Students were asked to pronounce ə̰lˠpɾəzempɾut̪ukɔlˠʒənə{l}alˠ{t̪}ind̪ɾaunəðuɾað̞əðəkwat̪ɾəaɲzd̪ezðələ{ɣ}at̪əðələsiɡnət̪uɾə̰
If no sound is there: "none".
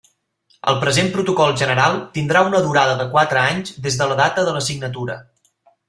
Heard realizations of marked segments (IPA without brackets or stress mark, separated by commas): ɾ, t̪, ð